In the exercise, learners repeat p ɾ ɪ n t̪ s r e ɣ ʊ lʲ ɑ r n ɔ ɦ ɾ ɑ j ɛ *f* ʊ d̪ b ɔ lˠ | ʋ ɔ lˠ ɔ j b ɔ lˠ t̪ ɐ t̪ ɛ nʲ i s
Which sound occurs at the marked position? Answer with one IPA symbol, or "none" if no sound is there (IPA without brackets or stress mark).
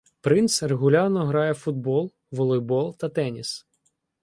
f